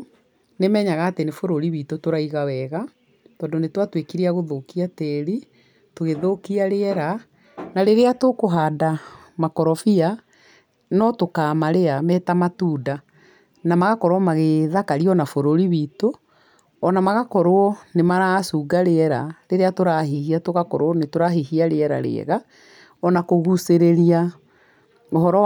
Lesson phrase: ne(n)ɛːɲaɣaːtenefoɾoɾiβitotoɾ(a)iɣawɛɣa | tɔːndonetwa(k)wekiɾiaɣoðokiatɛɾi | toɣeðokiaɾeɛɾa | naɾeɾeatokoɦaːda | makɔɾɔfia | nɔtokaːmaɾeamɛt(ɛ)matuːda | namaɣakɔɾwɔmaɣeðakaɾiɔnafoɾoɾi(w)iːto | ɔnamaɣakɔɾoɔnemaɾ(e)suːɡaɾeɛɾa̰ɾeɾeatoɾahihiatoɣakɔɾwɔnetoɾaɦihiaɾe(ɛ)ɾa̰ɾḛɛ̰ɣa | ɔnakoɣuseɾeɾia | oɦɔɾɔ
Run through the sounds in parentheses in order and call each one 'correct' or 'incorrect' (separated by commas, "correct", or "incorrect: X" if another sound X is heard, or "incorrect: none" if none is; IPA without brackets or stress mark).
incorrect: m, correct, incorrect: t, incorrect: a, incorrect: β, incorrect: a, correct